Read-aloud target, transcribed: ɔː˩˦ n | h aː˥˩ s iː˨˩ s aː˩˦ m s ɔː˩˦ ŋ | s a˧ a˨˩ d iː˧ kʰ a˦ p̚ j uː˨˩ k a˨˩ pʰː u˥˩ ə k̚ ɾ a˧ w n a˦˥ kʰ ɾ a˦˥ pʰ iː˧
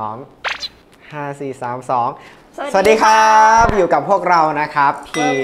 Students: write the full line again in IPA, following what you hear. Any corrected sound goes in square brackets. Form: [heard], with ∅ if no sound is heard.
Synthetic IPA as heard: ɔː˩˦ [ŋ] | h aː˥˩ s iː˨˩ s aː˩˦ m s ɔː˩˦ ŋ | s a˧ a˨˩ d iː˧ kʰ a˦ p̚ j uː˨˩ k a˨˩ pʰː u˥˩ ə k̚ ɾ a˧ w n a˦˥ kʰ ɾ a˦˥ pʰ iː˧